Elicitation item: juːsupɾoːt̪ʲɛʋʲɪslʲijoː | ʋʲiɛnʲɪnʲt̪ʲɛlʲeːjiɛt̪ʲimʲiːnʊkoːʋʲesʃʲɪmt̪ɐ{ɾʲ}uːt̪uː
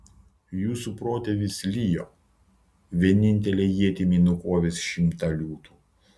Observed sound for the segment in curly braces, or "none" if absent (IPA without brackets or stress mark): lʲ